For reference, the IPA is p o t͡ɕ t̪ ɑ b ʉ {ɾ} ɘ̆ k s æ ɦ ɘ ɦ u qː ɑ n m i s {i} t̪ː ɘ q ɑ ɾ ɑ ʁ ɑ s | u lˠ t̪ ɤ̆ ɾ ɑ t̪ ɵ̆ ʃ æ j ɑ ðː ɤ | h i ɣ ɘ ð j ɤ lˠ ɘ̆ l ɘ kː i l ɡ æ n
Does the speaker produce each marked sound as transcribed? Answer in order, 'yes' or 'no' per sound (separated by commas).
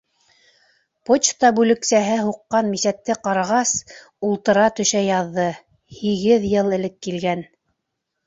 no, no